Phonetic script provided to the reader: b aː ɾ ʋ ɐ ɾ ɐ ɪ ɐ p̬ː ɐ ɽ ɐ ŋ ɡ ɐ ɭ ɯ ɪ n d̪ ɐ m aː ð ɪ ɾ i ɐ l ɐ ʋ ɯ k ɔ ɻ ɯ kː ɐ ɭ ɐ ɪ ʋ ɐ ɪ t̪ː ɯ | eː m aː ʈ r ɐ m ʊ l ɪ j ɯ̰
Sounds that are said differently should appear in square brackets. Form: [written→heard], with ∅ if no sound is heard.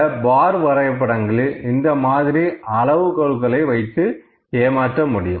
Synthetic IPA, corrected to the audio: b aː ɾ ʋ ɐ ɾ ɐ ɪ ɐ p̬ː ɐ ɽ ɐ ŋ ɡ ɐ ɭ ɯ ɪ n d̪ ɐ m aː ð ɪ ɾ i ɐ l ɐ ʋ ɯ k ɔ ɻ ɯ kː ɐ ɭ ɐ ɪ ʋ ɐ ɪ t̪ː ɯ | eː m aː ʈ r ɐ m ʊ [l→ɽ] ɪ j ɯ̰